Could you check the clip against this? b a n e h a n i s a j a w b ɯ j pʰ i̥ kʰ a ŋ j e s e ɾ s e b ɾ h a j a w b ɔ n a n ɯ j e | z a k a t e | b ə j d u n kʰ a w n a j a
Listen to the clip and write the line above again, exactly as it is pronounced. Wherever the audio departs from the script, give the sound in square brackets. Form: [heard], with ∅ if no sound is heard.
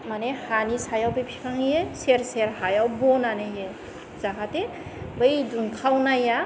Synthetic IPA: [m] a n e h a n i s a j a w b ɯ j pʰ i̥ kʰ a ŋ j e s e ɾ s e [∅] ɾ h a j a w b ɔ n a n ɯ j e | z a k a t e | b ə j d u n kʰ a w n a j a